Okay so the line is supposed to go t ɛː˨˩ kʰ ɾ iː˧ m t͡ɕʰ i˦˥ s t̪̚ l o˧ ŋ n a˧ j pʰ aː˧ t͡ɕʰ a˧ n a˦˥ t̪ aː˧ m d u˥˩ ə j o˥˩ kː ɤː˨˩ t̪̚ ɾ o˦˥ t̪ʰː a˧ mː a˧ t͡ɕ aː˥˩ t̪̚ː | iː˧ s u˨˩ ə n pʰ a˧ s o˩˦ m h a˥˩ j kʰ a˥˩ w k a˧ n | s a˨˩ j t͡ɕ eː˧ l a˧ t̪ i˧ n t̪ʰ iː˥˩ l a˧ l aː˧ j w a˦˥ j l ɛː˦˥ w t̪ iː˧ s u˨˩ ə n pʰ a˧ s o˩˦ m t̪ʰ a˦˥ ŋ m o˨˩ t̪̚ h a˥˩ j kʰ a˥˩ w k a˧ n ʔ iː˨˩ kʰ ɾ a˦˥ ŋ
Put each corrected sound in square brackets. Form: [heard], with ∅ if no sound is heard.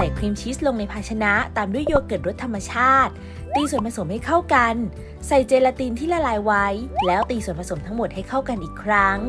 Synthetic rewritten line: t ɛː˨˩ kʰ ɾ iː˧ m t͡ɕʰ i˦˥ s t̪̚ l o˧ ŋ n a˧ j pʰ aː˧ t͡ɕʰ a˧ n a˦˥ t̪ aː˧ m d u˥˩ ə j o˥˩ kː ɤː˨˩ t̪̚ ɾ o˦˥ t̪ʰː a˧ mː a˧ [t͡ɕʰ] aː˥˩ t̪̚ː | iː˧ s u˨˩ ə n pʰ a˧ s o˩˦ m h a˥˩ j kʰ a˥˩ w k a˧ n | s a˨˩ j t͡ɕ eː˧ l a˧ t̪ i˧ n t̪ʰ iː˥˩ l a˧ l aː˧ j w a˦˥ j l ɛː˦˥ w t̪ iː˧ s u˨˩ ə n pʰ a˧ s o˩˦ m t̪ʰ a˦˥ ŋ m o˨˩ t̪̚ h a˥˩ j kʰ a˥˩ w k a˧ n ʔ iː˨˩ kʰ ɾ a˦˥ ŋ